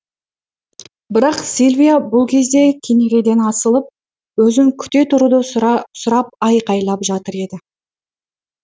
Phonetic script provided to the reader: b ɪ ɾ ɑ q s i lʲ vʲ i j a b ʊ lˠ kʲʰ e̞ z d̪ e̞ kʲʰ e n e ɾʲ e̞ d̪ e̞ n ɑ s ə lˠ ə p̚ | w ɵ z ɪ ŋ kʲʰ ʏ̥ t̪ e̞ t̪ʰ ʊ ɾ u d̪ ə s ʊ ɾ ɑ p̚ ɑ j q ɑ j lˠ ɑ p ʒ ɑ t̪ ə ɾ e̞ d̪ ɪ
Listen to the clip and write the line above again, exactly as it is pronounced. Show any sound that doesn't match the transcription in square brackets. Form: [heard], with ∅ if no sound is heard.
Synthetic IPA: b ɪ ɾ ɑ q s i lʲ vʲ i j a b ʊ lˠ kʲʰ e̞ z d̪ e̞ kʲʰ e n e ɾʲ e̞ d̪ e̞ n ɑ s ə lˠ ə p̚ | w ɵ z ɪ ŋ kʲʰ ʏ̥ t̪ e̞ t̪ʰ ʊ ɾ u d̪ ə s ʊ ɾ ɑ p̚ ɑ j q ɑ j lˠ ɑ p ʒ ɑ t̪ ə ɾ e̞ d̪ ɪ